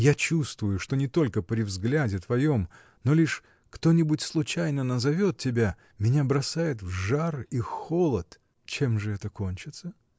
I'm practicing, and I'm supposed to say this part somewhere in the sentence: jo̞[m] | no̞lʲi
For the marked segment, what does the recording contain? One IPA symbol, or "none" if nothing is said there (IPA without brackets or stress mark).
m